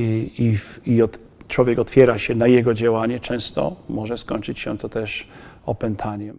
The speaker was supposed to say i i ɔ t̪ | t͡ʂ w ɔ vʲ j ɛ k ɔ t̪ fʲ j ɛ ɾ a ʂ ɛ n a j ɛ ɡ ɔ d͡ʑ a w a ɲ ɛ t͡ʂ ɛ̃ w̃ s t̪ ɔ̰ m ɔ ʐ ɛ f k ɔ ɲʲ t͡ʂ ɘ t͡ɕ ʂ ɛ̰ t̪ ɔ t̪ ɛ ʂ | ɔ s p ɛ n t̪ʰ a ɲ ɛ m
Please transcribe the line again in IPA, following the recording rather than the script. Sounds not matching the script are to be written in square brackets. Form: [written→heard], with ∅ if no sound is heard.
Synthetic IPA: i i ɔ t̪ | t͡ʂ w ɔ vʲ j ɛ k ɔ t̪ fʲ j ɛ ɾ a [ʂ→ɕ] ɛ n a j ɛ ɡ ɔ d͡ʑ a w a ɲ ɛ t͡ʂ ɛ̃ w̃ s t̪ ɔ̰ m ɔ ʐ ɛ [f→s] k ɔ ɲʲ t͡ʂ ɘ t͡ɕ [ʂ→ɕ] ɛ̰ t̪ ɔ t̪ ɛ ʂ | ɔ [s→∅] p ɛ n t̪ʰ a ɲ ɛ m